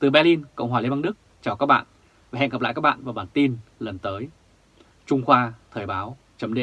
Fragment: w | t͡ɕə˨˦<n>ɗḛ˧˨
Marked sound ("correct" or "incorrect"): incorrect